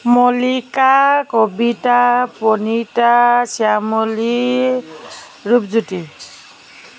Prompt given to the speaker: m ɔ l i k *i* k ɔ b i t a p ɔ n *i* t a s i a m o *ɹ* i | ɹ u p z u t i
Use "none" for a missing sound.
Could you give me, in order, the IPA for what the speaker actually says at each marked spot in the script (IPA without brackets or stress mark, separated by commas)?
a, i, l